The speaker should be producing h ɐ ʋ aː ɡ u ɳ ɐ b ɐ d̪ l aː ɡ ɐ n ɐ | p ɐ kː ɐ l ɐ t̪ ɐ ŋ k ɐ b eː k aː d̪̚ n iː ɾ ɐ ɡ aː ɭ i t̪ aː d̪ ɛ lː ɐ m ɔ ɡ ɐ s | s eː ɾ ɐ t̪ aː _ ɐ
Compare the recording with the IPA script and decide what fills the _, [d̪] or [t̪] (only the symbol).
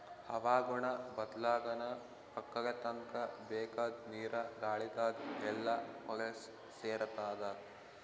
d̪